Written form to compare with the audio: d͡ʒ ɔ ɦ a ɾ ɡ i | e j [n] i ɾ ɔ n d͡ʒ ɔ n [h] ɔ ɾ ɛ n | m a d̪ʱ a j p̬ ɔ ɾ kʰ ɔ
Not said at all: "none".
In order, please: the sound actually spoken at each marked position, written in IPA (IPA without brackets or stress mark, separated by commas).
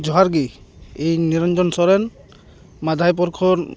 n, s